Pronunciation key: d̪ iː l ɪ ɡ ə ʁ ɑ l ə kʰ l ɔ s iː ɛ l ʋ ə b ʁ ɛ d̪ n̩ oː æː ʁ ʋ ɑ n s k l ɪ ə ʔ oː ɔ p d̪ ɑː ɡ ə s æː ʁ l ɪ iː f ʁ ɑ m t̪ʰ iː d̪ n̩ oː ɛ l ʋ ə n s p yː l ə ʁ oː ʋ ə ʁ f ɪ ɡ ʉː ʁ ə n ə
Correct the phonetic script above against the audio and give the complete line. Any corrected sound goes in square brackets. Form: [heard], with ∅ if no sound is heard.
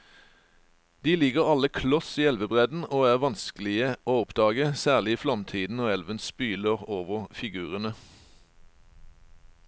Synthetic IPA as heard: d̪ iː l ɪ ɡ ə ʁ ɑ l ə kʰ l ɔ s iː ɛ l ʋ ə b ʁ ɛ d̪ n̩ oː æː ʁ ʋ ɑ n s k l ɪ ə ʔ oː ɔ p d̪ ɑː ɡ ə s æː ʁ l ɪ iː f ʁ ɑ m t̪ʰ iː d̪ n̩ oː ɛ l ʋ ə n s p yː l ə ʁ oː ʋ ə ʁ f ɪ ɡ ʉː ʁ ə n ə